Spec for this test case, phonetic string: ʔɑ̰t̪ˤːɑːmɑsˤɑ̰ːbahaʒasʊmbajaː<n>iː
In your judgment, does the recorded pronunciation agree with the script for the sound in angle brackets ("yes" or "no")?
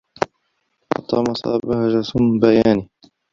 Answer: yes